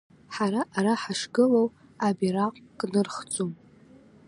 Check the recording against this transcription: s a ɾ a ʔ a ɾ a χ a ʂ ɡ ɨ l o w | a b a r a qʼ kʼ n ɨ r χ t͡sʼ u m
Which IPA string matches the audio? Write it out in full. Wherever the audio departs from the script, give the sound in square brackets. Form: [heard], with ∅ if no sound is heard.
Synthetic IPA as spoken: [ħ] a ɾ a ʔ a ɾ a [ħ] a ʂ ɡ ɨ l o w | a b [i] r a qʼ kʼ n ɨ r χ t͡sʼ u m